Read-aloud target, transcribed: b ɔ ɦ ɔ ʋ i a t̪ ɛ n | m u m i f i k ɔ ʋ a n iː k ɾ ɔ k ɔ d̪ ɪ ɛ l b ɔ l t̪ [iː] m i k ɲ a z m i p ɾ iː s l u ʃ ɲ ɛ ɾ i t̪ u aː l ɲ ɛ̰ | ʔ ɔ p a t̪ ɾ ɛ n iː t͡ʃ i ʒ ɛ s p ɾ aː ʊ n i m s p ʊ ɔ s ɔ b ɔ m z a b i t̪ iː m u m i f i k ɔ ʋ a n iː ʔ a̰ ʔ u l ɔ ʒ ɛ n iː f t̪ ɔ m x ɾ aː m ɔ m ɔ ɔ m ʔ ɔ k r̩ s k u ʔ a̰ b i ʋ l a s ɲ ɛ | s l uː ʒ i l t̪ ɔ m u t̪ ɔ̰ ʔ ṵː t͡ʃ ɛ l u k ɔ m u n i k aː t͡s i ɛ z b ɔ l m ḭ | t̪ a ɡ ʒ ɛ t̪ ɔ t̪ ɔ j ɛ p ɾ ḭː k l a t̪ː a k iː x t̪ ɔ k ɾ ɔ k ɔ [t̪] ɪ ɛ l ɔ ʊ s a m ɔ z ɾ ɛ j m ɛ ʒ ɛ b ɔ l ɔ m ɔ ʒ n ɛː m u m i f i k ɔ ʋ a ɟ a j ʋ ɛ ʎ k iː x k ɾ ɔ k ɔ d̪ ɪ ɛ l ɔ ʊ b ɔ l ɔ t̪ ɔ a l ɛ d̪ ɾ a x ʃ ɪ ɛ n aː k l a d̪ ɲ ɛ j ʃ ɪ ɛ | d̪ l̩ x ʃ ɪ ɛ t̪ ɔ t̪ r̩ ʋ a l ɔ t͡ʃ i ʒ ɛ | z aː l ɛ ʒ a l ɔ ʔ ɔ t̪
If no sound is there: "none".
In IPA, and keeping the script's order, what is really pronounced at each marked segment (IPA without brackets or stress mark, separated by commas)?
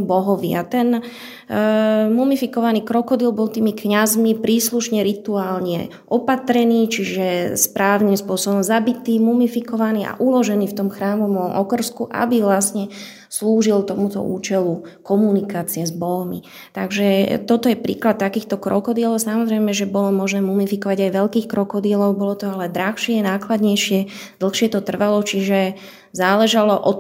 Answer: iː, d̪